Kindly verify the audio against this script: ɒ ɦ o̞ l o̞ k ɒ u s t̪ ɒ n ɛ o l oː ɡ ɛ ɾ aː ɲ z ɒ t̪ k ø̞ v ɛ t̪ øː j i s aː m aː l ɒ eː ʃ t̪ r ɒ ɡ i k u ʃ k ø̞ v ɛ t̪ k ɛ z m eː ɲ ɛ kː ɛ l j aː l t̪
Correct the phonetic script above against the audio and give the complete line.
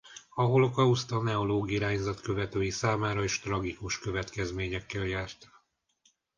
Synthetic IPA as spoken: ɒ ɦ o̞ l o̞ k ɒ u s t̪ ɒ n ɛ o l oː ɡ i ɾ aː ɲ z ɒ t̪ k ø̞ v ɛ t̪ øː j i s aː m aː ɾ ɒ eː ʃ t̪ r ɒ ɡ i k u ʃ k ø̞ v ɛ t̪ k ɛ z m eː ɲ ɛ kː ɛ l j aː r t̪